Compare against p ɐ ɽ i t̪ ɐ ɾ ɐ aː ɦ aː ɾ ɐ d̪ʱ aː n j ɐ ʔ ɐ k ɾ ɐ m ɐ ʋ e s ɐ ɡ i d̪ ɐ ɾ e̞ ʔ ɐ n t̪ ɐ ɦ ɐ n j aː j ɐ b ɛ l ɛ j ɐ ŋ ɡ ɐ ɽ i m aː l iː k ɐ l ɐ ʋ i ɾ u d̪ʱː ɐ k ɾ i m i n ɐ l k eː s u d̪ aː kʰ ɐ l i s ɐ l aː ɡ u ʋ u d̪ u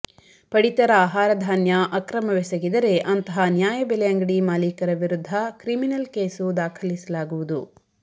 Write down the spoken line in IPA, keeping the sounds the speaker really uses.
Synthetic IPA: p ɐ ɽ i t̪ ɐ ɾ ɐ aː ɦ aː ɾ ɐ d̪ʱ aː n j ɐ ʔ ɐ k ɾ ɐ m ɐ ʋ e s ɐ ɡ i d̪ ɐ ɾ e̞ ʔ ɐ n t̪ ɐ ɦ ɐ n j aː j ɐ b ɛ l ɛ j ɐ ŋ ɡ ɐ ɽ i m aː l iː k ɐ ɾ ɐ ʋ i ɾ u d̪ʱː ɐ k ɾ i m i n ɐ l k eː s u d̪ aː kʰ ɐ l i s ɐ l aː ɡ u ʋ u d̪ u